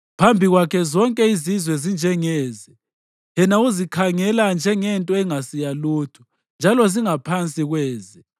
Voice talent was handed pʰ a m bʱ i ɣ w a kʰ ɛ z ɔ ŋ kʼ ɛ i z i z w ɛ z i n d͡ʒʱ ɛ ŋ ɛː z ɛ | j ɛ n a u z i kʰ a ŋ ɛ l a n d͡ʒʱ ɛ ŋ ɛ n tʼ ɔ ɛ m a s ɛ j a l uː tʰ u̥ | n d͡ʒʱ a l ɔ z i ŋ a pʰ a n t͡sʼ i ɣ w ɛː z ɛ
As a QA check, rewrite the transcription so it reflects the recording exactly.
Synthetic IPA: pʰ a m bʱ i ɣ w a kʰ ɛ z ɔ ŋ kʼ ɛ i z i z w ɛ z i n d͡ʒʱ ɛ ŋ ɛː z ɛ | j ɛ n a u z i kʰ a ŋ ɛ l a n d͡ʒʱ ɛ ŋ ɛ n tʼ ɔ ɛ ŋ a s i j a l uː tʰ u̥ | n d͡ʒʱ a l ɔ z i ŋ a pʰ a n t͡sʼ i ɣ w ɛː z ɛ